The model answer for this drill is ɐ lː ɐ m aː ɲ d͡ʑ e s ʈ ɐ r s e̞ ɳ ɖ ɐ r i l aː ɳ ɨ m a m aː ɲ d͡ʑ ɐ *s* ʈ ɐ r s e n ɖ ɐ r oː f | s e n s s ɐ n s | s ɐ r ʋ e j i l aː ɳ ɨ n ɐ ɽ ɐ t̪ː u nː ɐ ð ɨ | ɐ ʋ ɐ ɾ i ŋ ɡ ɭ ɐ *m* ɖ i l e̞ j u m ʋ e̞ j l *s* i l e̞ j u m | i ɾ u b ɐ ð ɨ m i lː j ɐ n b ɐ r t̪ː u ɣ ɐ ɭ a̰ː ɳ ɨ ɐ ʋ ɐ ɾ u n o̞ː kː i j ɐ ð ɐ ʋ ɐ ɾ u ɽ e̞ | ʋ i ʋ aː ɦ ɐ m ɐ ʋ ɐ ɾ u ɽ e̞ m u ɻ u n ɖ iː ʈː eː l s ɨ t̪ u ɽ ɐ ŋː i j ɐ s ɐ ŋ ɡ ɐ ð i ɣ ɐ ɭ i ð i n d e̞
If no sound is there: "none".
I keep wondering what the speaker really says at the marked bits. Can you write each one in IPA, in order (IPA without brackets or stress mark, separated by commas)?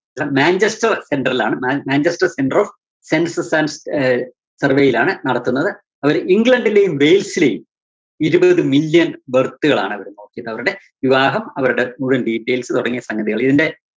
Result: s, ɳ, s